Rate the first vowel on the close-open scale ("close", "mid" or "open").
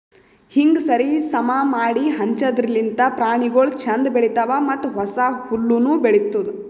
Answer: close